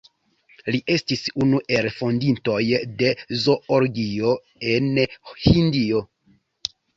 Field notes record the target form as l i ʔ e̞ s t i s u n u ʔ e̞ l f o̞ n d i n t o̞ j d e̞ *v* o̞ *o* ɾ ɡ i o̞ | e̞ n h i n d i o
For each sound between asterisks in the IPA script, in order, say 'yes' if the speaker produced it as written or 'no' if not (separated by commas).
no, yes